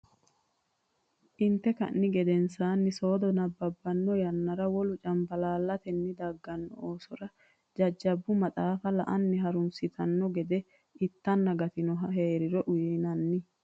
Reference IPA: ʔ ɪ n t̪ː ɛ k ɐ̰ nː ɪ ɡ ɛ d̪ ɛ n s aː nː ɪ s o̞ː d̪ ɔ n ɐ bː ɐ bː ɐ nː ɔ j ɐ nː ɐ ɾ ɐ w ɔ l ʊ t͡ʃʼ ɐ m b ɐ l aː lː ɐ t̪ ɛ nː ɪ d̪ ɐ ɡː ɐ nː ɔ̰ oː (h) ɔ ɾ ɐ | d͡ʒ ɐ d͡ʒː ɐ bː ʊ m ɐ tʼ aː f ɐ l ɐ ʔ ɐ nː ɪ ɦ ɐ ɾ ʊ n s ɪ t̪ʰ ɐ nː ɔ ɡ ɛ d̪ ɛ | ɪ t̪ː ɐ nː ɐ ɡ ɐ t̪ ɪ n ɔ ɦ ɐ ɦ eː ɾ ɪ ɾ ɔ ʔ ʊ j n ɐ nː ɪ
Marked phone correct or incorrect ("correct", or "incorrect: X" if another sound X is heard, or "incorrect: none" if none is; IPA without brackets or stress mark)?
incorrect: s